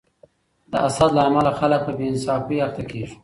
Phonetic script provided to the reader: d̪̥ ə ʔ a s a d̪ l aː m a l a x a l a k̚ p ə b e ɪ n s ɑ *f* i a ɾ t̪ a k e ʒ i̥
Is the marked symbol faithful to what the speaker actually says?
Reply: yes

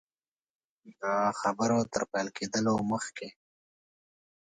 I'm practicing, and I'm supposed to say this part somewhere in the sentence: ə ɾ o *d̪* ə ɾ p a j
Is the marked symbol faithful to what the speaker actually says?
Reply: no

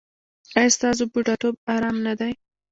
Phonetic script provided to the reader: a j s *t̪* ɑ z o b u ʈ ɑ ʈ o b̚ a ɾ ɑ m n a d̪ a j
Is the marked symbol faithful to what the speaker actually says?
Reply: yes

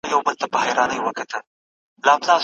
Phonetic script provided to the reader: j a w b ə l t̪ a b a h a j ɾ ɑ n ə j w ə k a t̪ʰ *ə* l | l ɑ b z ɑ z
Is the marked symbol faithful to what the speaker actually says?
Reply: yes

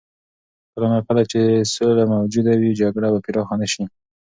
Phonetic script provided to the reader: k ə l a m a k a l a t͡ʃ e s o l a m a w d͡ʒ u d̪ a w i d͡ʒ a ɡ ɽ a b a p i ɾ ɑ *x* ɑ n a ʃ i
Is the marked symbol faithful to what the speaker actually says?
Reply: yes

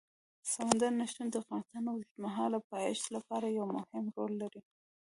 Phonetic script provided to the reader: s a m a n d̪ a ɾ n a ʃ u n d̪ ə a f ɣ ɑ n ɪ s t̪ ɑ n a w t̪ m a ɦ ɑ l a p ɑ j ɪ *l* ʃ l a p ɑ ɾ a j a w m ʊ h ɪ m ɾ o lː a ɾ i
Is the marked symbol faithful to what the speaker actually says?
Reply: no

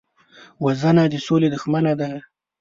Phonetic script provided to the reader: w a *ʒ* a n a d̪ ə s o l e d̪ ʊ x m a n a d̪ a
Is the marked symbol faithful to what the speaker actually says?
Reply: no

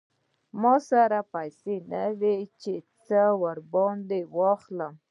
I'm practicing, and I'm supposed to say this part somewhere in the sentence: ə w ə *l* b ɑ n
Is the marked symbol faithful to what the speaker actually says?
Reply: no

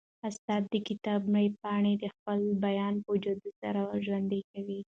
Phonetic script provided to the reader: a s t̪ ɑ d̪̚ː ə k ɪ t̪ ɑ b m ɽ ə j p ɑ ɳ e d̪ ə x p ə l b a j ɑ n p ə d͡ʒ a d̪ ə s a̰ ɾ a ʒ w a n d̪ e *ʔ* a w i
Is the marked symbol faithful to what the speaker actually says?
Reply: no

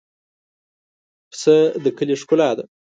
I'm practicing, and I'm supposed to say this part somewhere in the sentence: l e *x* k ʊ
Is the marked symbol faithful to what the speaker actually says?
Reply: no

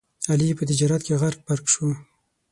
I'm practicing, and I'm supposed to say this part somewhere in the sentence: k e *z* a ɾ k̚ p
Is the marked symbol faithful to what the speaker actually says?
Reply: no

